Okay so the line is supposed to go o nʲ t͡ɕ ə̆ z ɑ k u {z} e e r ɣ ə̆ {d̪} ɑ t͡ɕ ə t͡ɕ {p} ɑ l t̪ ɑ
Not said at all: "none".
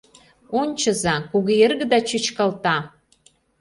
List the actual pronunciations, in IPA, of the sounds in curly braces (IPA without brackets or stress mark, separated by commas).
ɣ, d̪, k